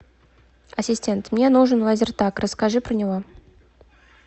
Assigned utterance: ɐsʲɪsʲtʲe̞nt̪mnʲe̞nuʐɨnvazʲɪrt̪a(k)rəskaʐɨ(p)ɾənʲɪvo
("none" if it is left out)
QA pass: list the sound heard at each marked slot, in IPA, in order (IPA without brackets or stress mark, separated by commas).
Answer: k, p